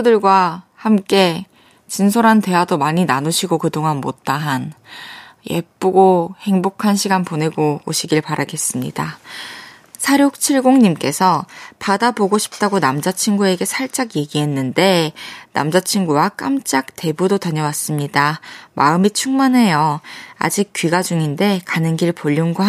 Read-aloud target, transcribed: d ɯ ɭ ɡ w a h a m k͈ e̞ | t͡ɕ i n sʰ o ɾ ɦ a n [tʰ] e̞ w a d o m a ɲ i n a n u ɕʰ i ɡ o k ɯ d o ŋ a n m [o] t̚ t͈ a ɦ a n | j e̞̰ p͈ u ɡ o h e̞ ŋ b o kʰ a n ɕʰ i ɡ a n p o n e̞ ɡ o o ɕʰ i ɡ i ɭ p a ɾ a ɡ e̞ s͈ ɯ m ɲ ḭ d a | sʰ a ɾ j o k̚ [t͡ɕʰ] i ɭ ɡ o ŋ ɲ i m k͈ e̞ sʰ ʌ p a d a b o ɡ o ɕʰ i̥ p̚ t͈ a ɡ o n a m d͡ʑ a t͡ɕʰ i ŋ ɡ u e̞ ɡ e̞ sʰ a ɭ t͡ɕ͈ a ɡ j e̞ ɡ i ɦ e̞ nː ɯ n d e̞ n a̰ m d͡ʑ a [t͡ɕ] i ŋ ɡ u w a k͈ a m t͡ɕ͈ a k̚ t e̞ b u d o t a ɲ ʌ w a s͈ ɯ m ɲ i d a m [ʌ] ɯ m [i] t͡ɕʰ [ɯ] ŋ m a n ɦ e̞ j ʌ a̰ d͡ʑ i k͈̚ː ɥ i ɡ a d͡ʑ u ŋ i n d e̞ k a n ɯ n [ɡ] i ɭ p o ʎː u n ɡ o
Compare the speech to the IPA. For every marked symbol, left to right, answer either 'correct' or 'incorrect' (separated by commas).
incorrect, correct, correct, incorrect, incorrect, correct, incorrect, correct